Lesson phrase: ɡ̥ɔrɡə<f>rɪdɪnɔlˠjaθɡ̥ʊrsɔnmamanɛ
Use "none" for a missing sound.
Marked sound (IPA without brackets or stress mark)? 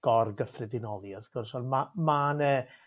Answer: f